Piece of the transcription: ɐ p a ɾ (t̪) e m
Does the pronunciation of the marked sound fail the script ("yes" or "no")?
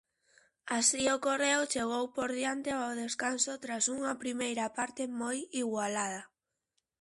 no